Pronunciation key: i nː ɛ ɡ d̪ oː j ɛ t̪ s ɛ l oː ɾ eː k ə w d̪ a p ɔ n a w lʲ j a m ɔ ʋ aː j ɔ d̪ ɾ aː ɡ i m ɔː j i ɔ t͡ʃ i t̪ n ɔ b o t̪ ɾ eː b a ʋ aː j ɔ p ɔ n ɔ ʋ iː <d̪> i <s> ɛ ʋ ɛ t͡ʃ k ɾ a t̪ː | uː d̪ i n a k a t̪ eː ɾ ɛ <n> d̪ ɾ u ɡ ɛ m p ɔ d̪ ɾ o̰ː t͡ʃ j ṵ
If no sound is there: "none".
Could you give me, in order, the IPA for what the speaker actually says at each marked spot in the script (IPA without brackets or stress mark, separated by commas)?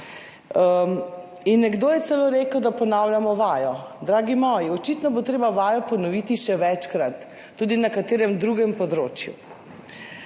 t̪, ʃ, m